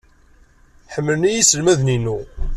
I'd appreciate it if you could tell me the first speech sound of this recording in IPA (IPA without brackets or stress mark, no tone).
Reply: ħ